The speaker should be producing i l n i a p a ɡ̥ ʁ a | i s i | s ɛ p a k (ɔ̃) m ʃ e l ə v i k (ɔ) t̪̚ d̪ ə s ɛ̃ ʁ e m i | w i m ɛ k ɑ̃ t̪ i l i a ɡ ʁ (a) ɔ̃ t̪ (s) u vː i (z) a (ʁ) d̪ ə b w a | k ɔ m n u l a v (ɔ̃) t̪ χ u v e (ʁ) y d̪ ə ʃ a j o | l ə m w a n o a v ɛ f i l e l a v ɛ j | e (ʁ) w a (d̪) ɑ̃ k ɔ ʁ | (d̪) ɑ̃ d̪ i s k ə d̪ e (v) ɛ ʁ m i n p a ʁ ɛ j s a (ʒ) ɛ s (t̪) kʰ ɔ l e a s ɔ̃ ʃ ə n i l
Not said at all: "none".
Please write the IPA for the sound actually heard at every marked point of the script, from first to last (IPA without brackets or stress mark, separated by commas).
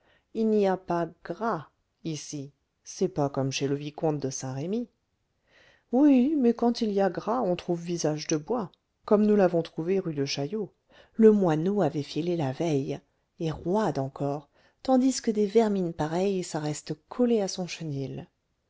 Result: ɔ, ɔ̃, a, χ, z, ʒ, ɔ̃, ʁ, ʁ, d̪, t̪, v, ʁ, t̪